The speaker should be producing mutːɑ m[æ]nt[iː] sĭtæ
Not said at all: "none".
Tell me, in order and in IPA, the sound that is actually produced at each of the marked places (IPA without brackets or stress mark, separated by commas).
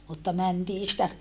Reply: æ, iː